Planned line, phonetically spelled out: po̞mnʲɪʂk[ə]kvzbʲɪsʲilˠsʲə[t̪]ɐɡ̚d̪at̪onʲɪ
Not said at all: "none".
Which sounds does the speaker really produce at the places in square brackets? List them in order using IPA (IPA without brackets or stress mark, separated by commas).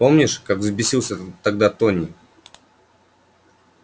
a, t̪